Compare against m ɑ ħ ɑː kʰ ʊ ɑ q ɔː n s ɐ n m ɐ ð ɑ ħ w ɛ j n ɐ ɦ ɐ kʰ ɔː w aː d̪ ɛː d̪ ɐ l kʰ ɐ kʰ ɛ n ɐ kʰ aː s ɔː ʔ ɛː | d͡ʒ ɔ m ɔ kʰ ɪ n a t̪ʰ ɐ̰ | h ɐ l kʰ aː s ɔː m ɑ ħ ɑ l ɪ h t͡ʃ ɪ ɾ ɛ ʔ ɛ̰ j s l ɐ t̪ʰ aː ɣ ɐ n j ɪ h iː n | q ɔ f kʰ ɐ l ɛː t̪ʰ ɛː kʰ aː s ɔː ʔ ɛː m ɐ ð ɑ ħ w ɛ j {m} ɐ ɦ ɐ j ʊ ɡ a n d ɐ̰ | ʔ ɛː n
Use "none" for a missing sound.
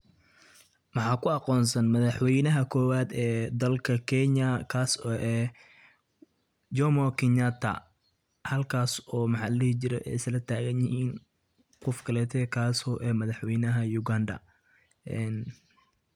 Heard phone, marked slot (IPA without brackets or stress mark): n